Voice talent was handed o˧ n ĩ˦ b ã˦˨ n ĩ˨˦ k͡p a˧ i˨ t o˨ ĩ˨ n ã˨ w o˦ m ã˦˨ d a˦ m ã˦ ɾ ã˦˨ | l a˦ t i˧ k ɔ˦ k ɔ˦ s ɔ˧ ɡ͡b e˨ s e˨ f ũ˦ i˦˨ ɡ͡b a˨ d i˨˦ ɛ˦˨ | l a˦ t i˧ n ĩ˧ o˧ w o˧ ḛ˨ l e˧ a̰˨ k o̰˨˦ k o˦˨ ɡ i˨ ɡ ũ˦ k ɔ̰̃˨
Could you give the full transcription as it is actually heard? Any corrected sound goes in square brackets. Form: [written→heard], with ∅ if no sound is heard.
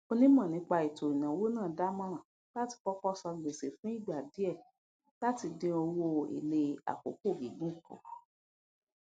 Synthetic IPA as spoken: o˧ n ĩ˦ [b→m] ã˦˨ n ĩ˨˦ k͡p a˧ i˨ t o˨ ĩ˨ n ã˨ w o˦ [m→n] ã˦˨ d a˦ m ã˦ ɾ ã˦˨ | l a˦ t i˧ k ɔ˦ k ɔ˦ s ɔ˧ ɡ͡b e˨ s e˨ f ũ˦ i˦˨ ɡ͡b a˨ d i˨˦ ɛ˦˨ | l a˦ t i˧ [n→d] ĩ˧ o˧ w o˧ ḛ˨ l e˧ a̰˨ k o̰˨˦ k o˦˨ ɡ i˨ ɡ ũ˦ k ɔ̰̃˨